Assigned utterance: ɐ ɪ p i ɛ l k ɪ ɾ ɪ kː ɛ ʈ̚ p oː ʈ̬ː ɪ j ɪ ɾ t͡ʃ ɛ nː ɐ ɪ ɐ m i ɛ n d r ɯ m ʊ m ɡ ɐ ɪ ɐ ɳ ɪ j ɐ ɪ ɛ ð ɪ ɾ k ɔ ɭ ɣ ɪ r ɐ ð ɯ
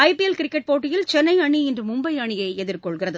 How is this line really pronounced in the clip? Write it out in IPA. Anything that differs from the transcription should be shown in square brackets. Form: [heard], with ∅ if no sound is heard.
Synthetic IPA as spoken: ɐ ɪ p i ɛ l k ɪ ɾ ɪ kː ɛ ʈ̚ p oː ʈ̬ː ɪ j ɪ [l] t͡ʃ ɛ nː ɐ ɪ ɐ [ɳ] i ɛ n d r ɯ m ʊ m [b] ɐ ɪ ɐ ɳ ɪ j ɐ ɪ ɛ ð ɪ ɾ k ɔ ɭ ɣ ɪ r ɐ ð ɯ